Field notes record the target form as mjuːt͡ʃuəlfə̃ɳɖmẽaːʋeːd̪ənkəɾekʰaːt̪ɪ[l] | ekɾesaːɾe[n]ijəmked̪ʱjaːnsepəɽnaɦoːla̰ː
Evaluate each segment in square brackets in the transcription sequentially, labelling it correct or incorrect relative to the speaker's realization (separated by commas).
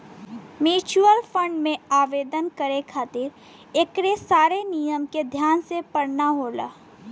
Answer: incorrect, correct